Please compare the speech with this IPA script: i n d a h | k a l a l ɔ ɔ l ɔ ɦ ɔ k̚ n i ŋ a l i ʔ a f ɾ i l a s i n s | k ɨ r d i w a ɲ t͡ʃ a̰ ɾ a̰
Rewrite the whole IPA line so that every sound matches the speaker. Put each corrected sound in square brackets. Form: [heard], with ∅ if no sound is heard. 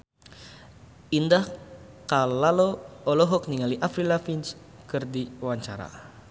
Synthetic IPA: i n d a h | k a l a l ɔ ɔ l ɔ ɦ ɔ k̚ n i ŋ a l i ʔ a f ɾ i l a [f] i n s | k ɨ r d i w a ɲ t͡ʃ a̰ ɾ a̰